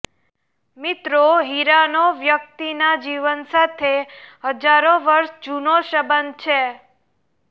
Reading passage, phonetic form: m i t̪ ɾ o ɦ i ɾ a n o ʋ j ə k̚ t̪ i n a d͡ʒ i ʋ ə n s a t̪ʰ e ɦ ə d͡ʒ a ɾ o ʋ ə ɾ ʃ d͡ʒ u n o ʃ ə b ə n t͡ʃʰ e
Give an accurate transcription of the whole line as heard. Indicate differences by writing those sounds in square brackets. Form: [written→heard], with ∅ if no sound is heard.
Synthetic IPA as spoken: m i t̪ ɾ o ɦ i ɾ a n o ʋ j ə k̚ t̪ i n a d͡ʒ i ʋ ə n s a t̪ʰ e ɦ ə d͡ʒ a ɾ o ʋ ə ɾ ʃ d͡ʒ u n o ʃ ə b ə n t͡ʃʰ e